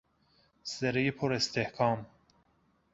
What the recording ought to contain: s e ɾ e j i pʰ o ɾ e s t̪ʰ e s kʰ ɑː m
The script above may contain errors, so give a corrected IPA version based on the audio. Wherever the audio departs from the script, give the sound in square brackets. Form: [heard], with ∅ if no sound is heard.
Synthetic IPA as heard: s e ɾ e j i pʰ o ɾ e s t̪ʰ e [h] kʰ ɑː m